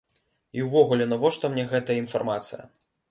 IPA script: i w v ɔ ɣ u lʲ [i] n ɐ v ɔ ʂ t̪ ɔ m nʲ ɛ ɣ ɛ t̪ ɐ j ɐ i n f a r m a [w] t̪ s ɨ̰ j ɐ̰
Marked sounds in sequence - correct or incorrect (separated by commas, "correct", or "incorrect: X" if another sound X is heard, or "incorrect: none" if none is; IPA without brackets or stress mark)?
incorrect: ɛ, incorrect: none